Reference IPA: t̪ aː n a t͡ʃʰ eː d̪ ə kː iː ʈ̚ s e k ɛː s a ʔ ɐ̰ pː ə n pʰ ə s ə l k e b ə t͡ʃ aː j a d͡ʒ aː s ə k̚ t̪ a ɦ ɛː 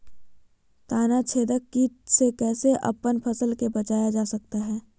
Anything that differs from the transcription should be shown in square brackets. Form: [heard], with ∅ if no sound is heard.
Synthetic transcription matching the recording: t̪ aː n a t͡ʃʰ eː d̪ ə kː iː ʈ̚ s e k ɛː s [e] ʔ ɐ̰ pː ə n pʰ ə s ə l k e b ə t͡ʃ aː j a d͡ʒ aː s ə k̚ t̪ a ɦ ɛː